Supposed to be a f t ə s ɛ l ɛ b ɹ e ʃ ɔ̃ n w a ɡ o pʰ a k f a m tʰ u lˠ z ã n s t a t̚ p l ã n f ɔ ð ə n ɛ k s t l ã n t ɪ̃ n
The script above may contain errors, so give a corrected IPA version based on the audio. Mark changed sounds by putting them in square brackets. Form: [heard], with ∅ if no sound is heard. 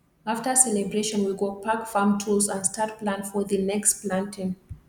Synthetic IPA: a f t ə s ɛ l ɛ b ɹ e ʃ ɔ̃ n w [i] ɡ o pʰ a k f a m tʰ u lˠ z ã n s t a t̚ p l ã n f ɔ ð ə n ɛ k s [p] l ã n t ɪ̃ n